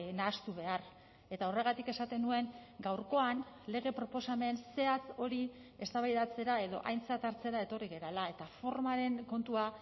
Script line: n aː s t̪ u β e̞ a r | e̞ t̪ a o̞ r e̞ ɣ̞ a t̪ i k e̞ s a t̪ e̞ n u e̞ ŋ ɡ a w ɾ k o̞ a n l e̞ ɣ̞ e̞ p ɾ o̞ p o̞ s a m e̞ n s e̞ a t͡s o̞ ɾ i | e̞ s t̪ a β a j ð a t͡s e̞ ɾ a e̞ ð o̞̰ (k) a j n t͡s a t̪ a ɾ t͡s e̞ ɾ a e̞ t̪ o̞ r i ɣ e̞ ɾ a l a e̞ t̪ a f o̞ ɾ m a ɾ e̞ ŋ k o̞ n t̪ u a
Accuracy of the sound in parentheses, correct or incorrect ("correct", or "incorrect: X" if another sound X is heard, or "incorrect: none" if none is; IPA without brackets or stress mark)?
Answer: incorrect: ʔ